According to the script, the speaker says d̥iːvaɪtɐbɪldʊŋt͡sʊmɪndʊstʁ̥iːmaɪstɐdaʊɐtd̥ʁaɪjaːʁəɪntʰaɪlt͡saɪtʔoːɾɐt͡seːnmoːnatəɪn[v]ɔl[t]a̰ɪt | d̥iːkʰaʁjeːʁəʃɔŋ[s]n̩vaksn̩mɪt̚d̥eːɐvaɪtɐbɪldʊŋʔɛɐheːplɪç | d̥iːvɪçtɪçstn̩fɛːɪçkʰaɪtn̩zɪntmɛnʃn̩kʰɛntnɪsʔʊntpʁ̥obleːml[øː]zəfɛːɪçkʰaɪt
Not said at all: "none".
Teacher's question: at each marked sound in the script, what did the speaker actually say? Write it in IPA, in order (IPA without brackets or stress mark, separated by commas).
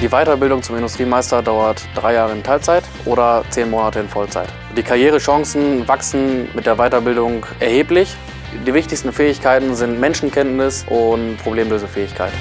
f, t͡s, s, øː